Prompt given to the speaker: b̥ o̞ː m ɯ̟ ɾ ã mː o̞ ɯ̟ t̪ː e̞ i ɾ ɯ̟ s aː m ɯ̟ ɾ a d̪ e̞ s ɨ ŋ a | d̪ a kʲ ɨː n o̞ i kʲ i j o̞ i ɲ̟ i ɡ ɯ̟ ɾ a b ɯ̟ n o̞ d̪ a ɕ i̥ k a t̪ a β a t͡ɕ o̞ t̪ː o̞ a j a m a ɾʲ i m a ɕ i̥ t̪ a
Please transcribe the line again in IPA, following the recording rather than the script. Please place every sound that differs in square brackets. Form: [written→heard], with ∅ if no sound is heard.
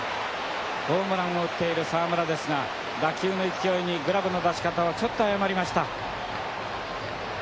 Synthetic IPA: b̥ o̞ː m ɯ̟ ɾ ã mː o̞ ɯ̟ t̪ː e̞ i ɾ ɯ̟ s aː m ɯ̟ ɾ a d̪ e̞ s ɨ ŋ a | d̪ a kʲ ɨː n o̞ i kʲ i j o̞ i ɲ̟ i ɡ ɯ̟ ɾ a b ɯ̟ n o̞ d̪ a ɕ i̥ k a t̪ a β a t͡ɕ o̞ t̪ː o̞ a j a m a ɾʲ i m a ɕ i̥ t̪ a